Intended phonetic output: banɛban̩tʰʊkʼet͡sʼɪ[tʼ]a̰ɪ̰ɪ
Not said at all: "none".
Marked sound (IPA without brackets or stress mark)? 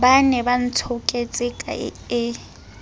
kʼ